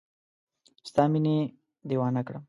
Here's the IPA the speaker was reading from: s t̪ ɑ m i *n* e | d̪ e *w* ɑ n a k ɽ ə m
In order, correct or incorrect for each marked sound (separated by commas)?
correct, correct